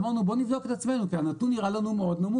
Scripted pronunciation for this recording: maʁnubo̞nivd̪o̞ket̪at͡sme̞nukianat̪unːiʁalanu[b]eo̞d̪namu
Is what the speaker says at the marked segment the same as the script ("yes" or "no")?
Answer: no